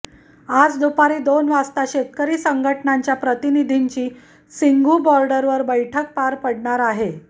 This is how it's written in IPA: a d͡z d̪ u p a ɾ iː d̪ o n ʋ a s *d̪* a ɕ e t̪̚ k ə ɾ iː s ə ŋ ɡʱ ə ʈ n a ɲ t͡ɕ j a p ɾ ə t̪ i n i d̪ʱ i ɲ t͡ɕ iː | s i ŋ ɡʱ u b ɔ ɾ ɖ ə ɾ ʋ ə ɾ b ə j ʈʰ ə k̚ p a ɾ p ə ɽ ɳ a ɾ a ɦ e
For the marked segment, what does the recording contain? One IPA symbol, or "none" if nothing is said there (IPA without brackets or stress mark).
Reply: t̪